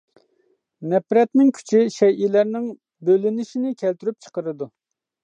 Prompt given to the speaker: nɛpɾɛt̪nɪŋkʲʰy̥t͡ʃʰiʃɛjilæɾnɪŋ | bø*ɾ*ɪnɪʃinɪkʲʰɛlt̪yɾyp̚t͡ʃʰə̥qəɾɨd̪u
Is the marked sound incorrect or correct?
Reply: incorrect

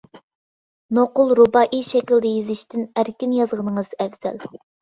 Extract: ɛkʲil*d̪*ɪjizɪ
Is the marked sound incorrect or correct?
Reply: correct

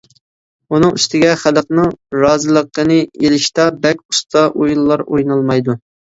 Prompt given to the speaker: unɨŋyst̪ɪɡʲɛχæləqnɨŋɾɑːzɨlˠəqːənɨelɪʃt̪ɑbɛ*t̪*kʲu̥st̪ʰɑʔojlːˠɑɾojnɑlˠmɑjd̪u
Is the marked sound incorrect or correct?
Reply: incorrect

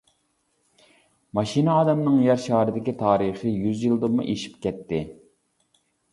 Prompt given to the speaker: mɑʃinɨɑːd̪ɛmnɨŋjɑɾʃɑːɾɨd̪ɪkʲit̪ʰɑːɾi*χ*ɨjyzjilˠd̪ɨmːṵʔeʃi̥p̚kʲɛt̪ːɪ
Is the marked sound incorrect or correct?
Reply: correct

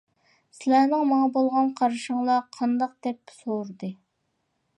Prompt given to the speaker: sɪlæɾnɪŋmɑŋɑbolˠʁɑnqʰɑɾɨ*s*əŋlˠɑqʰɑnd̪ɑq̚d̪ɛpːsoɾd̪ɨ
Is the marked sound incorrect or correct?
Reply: incorrect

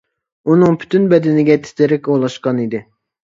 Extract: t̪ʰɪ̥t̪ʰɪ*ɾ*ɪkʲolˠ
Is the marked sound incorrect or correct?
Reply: correct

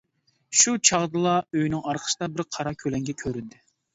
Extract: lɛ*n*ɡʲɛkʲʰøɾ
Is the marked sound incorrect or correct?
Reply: incorrect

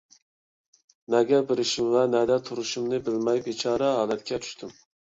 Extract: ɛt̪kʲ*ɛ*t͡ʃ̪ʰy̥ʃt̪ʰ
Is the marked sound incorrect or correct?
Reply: correct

